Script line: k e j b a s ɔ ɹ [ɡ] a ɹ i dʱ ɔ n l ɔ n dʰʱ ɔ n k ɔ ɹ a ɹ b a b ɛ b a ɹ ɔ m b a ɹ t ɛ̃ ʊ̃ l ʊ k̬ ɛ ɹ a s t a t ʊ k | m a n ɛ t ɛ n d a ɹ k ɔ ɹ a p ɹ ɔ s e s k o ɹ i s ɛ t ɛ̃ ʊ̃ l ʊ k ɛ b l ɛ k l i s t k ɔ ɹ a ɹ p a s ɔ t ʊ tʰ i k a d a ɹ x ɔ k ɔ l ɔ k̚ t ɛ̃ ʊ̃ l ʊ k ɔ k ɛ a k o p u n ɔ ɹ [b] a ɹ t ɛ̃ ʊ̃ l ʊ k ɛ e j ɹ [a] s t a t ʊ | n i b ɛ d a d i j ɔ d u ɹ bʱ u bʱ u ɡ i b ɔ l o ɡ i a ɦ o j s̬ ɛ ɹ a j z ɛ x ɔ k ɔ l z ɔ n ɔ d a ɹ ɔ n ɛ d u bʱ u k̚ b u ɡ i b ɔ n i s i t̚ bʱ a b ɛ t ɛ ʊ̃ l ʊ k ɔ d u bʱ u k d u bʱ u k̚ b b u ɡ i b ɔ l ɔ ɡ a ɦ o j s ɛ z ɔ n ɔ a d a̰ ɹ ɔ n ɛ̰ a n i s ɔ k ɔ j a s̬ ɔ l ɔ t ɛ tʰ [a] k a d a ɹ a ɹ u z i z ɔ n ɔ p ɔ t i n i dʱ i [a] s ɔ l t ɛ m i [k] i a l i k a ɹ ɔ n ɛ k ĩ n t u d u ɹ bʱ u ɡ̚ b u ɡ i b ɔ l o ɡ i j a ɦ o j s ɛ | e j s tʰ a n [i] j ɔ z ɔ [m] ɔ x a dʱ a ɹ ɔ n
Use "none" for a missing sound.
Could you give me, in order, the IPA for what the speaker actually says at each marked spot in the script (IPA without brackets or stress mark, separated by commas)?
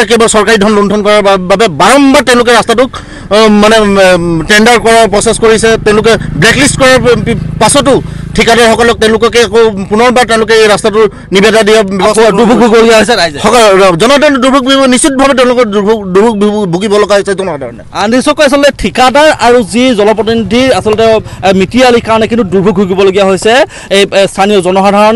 k, b, a, i, a, t, i, n